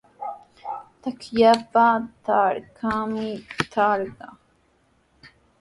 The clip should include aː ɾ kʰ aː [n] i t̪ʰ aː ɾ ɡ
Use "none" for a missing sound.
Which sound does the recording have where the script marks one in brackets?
m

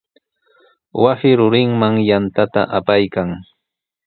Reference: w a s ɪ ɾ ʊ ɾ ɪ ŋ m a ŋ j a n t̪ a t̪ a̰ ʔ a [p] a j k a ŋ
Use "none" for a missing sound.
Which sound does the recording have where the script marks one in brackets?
p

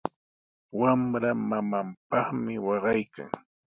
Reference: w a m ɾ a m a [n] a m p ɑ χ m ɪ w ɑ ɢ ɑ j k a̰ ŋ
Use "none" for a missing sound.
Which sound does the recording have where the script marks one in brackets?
m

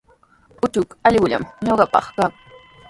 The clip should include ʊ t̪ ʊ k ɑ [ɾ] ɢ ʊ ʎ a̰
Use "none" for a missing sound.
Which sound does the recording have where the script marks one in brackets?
ʎ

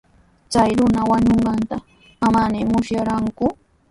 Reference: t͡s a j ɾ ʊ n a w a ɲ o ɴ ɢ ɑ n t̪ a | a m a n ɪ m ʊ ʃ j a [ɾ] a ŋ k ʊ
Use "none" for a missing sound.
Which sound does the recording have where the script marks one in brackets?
ɾ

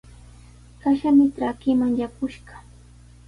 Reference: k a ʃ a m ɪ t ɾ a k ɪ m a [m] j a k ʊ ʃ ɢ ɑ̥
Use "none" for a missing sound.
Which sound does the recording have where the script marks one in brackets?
ŋ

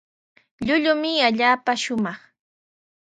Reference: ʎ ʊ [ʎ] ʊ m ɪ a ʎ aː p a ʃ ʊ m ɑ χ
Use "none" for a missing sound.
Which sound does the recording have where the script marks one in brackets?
ʎ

